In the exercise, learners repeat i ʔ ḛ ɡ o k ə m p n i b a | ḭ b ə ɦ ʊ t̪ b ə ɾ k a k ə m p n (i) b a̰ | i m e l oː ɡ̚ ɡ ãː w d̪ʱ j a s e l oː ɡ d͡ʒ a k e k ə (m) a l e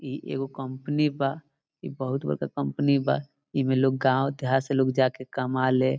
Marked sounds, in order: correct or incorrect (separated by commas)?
correct, correct